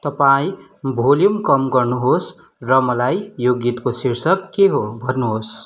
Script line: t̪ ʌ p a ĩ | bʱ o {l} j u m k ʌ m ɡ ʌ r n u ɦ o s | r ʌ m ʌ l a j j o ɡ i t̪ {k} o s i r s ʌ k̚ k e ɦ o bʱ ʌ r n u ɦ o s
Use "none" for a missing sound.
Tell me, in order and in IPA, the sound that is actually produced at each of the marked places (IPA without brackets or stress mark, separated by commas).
l, k